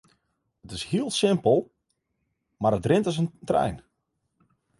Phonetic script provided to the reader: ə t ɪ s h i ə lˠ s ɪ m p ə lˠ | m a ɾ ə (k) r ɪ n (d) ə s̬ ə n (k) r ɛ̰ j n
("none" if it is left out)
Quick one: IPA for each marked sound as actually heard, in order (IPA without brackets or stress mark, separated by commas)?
t, t, t